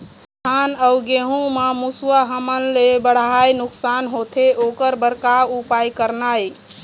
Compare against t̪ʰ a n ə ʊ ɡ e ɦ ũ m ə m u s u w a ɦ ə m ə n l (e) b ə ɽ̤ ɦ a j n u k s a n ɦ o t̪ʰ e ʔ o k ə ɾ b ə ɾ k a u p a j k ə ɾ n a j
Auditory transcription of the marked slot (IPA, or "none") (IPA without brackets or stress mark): e